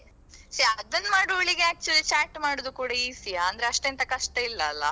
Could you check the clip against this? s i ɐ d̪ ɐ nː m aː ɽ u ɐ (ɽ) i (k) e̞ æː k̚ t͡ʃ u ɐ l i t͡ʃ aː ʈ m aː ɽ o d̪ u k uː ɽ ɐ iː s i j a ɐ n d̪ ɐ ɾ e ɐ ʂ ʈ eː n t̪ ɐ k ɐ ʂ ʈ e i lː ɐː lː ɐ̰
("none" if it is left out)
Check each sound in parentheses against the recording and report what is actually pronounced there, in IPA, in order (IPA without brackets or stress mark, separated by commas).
ɭ, ɡ